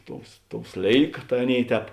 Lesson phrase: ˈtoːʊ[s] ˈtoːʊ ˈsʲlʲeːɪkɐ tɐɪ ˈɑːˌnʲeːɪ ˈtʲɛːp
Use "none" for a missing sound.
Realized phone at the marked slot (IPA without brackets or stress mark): s